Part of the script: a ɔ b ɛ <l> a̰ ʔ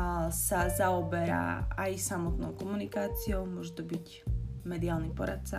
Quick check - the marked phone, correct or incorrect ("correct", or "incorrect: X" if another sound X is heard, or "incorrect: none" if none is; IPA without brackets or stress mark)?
incorrect: ɾ